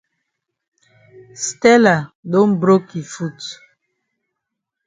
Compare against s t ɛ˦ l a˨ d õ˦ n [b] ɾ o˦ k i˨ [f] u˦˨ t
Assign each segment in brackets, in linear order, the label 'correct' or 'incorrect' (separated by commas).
correct, correct